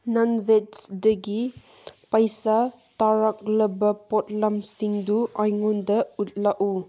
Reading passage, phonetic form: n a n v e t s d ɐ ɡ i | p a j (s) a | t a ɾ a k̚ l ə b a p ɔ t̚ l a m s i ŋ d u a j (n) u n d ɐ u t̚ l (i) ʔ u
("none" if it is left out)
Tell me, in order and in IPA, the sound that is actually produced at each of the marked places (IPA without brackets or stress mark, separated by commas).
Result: s, ŋ, a